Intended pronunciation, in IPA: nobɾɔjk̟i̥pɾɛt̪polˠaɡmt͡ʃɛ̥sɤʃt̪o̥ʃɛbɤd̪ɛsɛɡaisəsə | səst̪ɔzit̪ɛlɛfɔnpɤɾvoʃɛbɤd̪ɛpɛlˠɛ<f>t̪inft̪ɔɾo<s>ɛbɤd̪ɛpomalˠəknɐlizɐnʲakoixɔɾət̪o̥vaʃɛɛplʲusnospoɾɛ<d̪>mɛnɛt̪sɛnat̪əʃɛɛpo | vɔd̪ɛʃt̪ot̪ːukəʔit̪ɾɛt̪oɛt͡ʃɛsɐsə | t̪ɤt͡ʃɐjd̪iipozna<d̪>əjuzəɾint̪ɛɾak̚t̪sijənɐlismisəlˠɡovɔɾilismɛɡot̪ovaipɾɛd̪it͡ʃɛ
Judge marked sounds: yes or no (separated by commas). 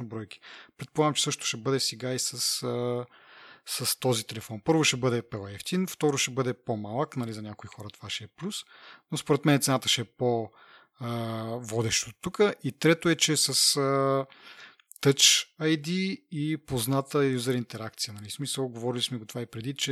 yes, no, no, no